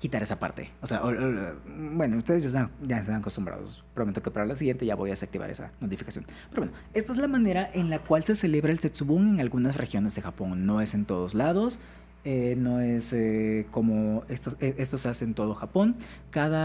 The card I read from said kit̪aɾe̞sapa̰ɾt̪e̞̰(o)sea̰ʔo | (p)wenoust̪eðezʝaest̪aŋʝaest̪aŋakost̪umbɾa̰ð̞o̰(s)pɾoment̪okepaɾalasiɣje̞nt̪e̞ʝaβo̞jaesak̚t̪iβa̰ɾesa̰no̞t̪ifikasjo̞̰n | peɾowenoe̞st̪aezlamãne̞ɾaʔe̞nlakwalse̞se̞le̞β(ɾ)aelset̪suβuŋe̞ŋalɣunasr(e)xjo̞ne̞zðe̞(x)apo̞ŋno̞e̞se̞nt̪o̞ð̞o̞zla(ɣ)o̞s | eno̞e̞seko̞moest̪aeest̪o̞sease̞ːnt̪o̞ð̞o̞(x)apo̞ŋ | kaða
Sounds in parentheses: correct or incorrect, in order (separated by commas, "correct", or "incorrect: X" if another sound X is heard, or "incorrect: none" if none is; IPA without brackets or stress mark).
correct, incorrect: b, correct, correct, correct, correct, incorrect: ð, correct